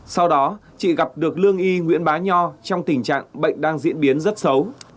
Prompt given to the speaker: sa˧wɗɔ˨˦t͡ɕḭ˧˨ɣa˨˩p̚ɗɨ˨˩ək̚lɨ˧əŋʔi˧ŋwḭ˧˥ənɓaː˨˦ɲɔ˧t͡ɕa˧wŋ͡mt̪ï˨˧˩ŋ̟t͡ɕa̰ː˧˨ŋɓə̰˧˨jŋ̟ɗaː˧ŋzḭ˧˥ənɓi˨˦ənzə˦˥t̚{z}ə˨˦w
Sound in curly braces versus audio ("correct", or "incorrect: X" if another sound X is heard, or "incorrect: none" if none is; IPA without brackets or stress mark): incorrect: s